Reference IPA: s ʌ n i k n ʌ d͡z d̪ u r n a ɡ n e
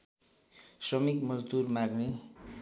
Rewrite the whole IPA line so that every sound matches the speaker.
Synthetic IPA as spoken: s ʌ m i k m ʌ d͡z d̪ u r m a ɡ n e